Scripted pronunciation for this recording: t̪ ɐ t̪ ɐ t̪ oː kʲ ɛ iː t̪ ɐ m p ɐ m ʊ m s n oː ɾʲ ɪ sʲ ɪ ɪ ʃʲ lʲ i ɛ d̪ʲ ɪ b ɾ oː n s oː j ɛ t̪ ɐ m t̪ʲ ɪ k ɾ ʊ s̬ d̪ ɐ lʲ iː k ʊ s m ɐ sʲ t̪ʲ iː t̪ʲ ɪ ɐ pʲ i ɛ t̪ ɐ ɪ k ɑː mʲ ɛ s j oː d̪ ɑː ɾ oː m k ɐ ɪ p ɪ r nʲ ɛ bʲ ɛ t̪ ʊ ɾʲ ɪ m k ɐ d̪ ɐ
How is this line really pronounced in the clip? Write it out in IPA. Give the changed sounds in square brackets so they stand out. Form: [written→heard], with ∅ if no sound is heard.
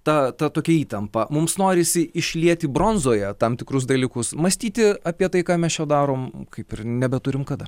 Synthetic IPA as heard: t̪ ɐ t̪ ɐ t̪ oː kʲ ɛ iː t̪ ɐ m p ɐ m ʊ m s n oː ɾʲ ɪ sʲ ɪ ɪ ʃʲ lʲ i ɛ [d̪ʲ→t̪ʲ] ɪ b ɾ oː n [s→z] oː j ɛ t̪ ɐ m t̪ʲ ɪ k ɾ ʊ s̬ d̪ ɐ lʲ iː k ʊ s m ɐ sʲ t̪ʲ iː t̪ʲ ɪ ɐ pʲ i ɛ t̪ ɐ ɪ k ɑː mʲ ɛ s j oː d̪ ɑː ɾ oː m k ɐ ɪ p ɪ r nʲ ɛ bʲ ɛ t̪ ʊ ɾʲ ɪ m k ɐ d̪ ɐ